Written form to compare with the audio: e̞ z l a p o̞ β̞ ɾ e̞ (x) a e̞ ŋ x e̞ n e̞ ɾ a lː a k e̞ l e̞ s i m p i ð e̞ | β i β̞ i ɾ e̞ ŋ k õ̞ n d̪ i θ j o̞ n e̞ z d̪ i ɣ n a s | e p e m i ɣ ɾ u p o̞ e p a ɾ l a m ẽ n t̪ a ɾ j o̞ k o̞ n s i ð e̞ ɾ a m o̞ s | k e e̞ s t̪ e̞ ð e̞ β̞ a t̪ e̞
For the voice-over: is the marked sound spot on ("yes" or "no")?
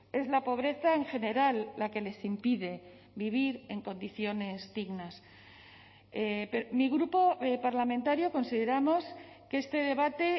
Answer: no